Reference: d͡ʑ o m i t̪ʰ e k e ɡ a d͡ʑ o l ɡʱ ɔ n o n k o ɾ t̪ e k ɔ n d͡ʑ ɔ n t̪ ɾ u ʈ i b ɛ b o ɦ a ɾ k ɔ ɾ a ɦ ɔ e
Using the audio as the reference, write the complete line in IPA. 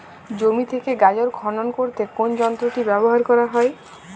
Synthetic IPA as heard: d͡ʑ o m i t̪ʰ e k e ɡ a d͡ʑ o ɾ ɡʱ ɔ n o n k o ɾ t̪ e k o n d͡ʑ ɔ n t̪ ɾ o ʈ i b ɛ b o ɦ a ɾ k ɔ ɾ a ɦ ɔ e